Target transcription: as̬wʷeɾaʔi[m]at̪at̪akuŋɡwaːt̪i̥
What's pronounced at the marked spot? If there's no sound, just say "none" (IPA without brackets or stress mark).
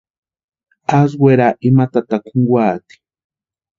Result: m